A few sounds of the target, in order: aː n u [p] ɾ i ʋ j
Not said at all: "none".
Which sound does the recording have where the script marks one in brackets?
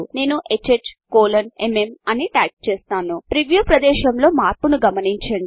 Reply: p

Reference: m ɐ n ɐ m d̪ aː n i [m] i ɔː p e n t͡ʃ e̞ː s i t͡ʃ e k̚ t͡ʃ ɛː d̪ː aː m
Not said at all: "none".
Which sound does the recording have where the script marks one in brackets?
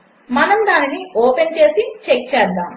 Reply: n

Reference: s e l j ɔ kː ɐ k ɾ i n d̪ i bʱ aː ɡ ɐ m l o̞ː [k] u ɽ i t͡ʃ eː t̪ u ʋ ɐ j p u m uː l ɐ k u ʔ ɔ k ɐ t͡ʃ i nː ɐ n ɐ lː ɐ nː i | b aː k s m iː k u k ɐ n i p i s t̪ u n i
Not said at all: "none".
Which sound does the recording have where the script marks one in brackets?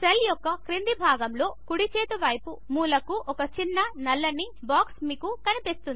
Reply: k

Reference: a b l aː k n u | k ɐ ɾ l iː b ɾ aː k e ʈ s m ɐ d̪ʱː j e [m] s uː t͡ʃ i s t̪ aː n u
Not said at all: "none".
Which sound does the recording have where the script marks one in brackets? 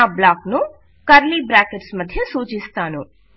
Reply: none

